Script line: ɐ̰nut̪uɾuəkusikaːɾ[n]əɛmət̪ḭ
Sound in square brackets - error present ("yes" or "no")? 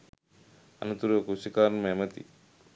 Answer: yes